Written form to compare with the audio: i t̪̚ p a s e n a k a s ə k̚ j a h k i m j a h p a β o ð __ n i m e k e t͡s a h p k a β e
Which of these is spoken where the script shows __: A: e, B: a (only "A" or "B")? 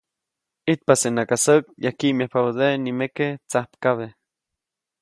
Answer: A